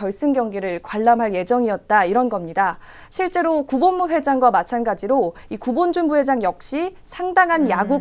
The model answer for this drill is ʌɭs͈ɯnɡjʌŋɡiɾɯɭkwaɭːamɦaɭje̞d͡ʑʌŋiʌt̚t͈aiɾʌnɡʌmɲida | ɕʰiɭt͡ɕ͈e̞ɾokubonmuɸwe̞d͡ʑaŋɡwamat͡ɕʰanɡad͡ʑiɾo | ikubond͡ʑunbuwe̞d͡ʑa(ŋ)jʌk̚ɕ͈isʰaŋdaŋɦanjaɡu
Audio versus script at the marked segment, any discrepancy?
no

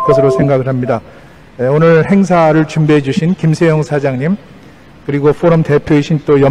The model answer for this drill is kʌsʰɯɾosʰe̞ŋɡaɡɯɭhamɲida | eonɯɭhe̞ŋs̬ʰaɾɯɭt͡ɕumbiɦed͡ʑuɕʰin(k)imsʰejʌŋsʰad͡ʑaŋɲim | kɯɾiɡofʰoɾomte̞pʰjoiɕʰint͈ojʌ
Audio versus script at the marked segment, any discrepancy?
no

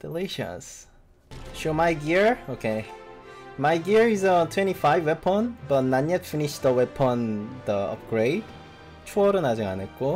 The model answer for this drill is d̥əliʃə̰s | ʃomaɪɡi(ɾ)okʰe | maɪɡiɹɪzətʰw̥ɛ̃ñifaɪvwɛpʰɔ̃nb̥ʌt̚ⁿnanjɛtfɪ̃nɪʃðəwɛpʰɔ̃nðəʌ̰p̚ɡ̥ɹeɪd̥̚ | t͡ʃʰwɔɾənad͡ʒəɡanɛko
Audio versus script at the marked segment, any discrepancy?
yes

